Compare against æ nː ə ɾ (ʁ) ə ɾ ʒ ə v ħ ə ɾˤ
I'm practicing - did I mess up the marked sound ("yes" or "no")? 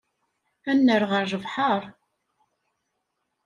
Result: no